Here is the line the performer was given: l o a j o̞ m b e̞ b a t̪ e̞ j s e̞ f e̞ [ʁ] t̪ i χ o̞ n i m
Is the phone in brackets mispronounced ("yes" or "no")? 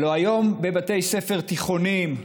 no